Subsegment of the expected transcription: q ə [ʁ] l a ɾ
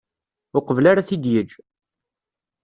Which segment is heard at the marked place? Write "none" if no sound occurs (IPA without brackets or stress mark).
v